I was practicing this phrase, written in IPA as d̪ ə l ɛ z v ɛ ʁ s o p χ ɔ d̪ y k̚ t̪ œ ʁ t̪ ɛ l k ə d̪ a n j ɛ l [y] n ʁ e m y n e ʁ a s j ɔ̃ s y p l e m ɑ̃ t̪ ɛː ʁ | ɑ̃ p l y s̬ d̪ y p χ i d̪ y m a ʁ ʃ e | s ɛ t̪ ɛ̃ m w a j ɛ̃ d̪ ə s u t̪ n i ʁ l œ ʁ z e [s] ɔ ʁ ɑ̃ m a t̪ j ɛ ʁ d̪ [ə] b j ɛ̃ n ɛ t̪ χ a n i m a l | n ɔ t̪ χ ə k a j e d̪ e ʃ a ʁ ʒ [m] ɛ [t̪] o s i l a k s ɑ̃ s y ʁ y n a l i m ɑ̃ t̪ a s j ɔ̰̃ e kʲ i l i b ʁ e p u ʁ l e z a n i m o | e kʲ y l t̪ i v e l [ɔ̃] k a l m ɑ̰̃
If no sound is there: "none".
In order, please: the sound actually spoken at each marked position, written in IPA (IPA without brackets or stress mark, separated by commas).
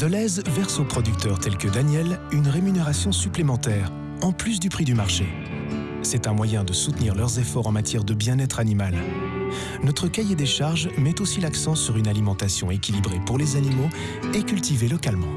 y, f, ə, m, t̪, ɔ